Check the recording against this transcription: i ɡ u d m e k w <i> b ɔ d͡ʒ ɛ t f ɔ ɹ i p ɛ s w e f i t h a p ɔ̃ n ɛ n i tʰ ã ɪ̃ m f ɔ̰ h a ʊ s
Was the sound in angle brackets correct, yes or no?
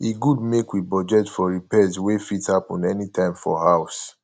yes